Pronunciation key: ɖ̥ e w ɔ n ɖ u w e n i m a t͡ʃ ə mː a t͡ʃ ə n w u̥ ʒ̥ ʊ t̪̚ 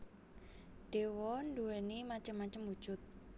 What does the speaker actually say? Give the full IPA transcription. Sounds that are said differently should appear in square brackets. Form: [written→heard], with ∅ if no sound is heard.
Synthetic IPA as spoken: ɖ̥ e w ɔ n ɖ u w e n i m a t͡ʃ ə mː a t͡ʃ ə [n→m] w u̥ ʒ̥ ʊ t̪̚